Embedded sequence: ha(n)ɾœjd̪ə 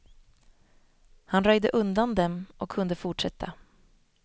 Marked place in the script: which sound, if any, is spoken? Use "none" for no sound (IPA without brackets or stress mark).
n